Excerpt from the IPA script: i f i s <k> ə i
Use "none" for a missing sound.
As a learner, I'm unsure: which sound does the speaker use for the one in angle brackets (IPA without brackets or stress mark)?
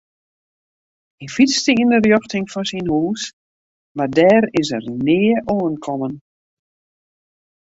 t